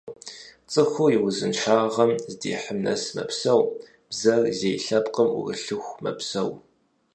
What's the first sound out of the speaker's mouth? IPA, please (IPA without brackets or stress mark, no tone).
t͡sʼ